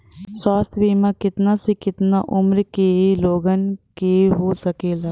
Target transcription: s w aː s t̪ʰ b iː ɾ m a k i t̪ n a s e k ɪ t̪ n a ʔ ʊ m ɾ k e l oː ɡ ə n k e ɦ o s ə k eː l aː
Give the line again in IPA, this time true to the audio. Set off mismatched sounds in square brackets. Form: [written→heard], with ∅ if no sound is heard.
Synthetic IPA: s w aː s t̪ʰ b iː [ɾ→∅] m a k [i→ɪ] t̪ n a s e k ɪ t̪ n a ʔ ʊ m ɾ k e l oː ɡ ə n k e ɦ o s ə k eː l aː